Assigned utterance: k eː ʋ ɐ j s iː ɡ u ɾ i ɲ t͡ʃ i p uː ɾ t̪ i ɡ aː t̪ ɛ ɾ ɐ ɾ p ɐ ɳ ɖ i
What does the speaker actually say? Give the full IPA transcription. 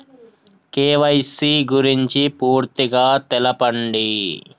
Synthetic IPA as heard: k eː ʋ ɐ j s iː ɡ u ɾ i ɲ t͡ʃ i p uː ɾ t̪ i ɡ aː t̪ ɛ l ɐ p ɐ ɳ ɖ i